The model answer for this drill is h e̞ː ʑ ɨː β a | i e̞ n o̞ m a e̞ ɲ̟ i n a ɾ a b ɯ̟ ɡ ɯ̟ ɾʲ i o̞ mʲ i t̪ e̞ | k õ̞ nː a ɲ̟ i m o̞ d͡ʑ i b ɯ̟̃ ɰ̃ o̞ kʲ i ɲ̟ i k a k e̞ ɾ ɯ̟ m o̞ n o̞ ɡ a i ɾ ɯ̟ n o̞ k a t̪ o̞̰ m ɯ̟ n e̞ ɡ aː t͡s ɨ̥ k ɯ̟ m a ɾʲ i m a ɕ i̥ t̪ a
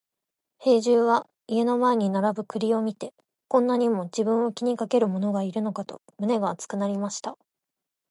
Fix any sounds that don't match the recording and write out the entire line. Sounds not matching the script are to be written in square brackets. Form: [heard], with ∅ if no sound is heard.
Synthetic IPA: h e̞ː ʑ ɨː β a | i e̞ n o̞ m a e̞ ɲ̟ i n a ɾ a b ɯ̟ [k] ɯ̟ ɾʲ i o̞ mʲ i t̪ e̞ | k õ̞ nː a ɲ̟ i m o̞ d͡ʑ i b ɯ̟̃ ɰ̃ o̞ kʲ i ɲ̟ i k a k e̞ ɾ ɯ̟ m o̞ n o̞ ɡ a i ɾ ɯ̟ n o̞ k a t̪ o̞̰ m ɯ̟ n e̞ ɡ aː t͡s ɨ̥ k ɯ̟ [n] a ɾʲ i m a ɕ i̥ t̪ a